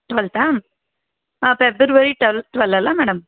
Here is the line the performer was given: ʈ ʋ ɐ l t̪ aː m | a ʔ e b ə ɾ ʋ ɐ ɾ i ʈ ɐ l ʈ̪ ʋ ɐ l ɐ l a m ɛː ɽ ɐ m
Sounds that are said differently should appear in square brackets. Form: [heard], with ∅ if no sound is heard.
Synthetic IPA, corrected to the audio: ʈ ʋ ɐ l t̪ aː m | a [p] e b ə ɾ ʋ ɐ ɾ i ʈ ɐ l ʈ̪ ʋ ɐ l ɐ l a m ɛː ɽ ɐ m